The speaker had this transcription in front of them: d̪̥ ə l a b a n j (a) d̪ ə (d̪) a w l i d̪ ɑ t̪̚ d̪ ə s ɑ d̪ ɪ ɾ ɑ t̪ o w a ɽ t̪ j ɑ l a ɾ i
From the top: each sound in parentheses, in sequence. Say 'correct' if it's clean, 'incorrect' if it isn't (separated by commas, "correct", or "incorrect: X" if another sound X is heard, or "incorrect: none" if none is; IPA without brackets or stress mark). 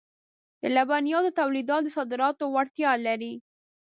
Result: incorrect: ɑ, incorrect: t̪